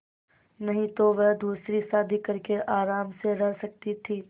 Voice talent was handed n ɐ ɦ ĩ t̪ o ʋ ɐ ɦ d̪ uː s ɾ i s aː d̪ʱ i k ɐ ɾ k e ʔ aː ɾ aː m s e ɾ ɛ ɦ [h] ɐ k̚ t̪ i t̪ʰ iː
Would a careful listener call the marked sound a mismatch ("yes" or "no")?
yes